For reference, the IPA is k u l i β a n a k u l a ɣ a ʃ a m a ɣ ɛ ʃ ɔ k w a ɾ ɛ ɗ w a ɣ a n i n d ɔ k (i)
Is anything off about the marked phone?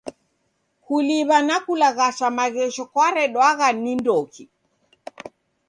no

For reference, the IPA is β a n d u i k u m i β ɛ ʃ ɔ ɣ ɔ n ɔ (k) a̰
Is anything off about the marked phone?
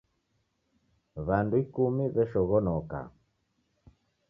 no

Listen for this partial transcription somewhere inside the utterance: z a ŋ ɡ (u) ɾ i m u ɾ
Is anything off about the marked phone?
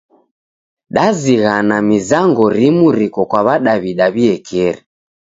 yes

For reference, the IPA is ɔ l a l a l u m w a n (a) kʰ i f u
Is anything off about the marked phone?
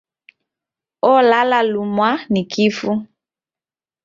yes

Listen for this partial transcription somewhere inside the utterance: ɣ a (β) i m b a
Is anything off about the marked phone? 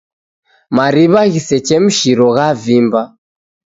yes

